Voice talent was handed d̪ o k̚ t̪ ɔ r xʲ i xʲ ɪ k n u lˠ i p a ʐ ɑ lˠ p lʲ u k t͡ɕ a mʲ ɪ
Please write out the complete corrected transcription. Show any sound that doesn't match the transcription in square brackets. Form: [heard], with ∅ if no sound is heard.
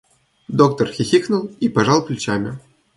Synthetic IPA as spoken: d̪ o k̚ t̪ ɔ r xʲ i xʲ [i] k n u lˠ i p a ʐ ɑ lˠ p lʲ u [∅] t͡ɕ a mʲ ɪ